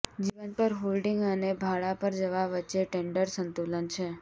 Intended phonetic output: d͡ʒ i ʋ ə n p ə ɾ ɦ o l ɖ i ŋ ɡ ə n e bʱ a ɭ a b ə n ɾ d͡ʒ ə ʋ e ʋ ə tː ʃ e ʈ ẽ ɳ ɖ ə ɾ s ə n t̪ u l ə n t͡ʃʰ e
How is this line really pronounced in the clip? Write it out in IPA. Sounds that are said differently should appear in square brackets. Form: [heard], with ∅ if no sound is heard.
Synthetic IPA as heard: d͡ʒ i ʋ ə n p ə ɾ ɦ o l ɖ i ŋ ɡ ə n e bʱ a ɭ a [p] ə [∅] ɾ d͡ʒ ə ʋ [a] ʋ ə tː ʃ e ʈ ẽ ɳ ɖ ə ɾ s ə n t̪ u l ə n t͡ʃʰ e